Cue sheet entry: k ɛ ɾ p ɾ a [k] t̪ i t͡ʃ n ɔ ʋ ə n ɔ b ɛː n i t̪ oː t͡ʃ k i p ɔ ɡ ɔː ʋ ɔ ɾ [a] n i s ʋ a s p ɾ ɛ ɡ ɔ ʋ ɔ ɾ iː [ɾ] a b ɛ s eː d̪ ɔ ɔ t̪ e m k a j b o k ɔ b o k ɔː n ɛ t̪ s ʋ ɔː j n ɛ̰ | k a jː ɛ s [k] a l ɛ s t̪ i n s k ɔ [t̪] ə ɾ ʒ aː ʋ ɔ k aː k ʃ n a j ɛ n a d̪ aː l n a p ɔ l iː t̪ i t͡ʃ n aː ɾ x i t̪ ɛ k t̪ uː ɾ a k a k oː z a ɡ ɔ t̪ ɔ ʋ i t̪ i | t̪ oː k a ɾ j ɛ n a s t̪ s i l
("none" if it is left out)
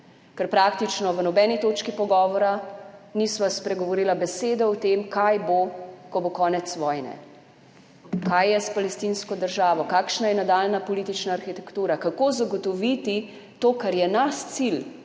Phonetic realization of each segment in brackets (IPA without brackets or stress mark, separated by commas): k, a, l, p, d̪